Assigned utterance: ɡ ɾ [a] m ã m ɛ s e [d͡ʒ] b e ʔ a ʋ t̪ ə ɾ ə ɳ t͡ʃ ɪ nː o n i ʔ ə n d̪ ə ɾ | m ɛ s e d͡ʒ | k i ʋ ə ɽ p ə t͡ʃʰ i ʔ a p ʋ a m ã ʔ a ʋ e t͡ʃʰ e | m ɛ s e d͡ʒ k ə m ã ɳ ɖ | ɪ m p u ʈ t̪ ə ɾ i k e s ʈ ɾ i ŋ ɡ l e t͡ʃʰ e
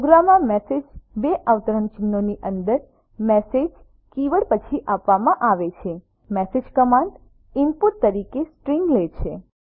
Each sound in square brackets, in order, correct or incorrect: correct, correct

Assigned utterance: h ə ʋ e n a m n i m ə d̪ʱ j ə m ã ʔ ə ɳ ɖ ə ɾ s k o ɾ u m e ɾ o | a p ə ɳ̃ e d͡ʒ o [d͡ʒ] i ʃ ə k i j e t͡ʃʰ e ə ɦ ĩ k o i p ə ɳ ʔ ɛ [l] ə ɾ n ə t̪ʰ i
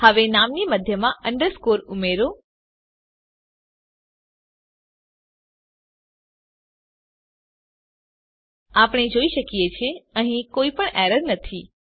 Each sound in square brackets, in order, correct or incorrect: incorrect, incorrect

